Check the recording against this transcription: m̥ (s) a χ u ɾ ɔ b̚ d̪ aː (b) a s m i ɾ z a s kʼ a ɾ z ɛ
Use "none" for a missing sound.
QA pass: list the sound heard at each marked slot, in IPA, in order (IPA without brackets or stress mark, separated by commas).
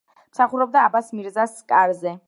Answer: s, b